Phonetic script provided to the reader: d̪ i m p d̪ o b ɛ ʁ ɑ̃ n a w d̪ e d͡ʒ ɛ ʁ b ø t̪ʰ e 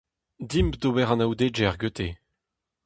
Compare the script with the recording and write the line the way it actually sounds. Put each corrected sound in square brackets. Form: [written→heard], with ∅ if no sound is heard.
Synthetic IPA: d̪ i m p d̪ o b ɛ ʁ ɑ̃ n a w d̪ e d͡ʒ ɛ ʁ [b→ɡ] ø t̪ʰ e

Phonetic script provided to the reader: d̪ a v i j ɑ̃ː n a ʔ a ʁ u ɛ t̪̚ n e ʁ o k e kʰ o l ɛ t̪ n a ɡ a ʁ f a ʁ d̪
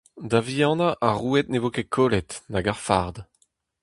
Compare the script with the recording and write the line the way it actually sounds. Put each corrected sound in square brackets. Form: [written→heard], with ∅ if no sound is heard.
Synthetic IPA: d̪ a v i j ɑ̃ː n a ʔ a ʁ u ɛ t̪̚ n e [ʁ→v] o k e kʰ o l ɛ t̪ n a ɡ a ʁ f a ʁ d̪

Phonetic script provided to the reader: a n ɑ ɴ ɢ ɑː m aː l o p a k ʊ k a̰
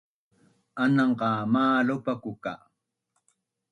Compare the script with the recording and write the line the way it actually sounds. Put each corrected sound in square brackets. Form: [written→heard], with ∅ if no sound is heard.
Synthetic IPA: a n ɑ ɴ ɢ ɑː m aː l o p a k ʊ k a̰

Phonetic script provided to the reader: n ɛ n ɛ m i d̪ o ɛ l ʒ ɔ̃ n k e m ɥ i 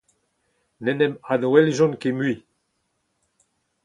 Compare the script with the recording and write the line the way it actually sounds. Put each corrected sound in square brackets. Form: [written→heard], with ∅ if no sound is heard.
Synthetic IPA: n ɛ n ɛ m [i→a] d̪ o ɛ l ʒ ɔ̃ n k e m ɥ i

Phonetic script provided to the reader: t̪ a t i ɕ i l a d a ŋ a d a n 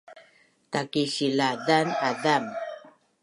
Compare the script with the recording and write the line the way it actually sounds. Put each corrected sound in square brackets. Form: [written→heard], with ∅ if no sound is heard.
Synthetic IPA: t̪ a [t→k] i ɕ i l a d a [ŋ→n] a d a [n→m]

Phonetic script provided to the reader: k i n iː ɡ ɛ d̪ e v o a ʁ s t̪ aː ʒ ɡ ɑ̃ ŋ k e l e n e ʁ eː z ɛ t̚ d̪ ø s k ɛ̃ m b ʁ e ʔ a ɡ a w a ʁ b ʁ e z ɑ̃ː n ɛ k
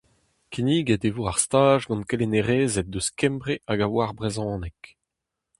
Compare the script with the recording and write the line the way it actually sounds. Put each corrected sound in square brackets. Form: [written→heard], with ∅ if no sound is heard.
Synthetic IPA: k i n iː ɡ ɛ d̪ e v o a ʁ s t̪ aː ʒ ɡ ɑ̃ [ŋ→n] k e l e n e ʁ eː z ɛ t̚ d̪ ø s k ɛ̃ m b ʁ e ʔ a ɡ a w a ʁ b ʁ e z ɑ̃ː n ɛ k

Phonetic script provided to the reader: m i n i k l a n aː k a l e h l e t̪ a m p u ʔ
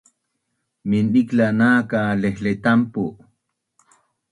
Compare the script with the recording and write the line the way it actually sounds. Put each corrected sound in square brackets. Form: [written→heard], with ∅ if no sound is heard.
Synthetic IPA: m i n i k l a n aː k a l e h l e t̪ a m p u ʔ

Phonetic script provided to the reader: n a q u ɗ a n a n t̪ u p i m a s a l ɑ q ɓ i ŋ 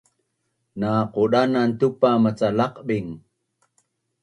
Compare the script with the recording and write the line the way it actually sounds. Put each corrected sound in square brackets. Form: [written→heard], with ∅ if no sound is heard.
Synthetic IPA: n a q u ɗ a n a n t̪ u p [i→a] m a [s→t͡s] a l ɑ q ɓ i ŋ

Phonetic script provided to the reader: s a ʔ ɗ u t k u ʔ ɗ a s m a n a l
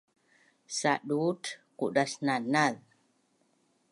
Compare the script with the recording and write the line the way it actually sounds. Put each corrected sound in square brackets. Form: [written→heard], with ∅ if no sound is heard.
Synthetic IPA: s a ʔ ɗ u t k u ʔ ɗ a s [m→n] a n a l

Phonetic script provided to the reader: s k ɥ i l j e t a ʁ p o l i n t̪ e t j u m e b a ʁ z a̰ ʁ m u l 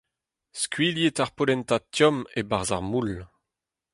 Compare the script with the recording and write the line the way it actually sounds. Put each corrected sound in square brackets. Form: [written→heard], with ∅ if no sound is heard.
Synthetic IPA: s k ɥ i l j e t a ʁ p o l [i→ɛ] n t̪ [e→a] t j [u→ɔ] m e b a ʁ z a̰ ʁ m u l

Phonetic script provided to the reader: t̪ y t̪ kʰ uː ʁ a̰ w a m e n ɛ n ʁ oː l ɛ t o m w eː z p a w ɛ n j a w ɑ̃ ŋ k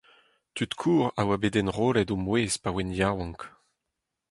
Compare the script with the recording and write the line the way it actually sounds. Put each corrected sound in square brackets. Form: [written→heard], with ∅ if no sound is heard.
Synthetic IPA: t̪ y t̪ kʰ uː ʁ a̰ w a [m→b] e [n→d] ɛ n ʁ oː l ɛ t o m w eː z p a w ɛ n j a w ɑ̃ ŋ k

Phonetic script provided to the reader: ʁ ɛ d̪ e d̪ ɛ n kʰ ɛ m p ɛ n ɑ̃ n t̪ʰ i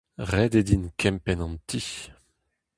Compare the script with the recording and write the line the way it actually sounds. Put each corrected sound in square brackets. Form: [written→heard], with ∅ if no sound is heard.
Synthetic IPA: ʁ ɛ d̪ e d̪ [ɛ→i] n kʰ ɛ m p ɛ n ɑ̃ n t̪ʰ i

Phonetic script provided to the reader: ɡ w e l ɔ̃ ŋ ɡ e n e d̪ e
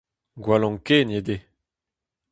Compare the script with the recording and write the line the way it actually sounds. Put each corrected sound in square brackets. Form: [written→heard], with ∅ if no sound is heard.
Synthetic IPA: ɡ w [e→a] l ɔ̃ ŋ [ɡ→k] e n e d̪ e

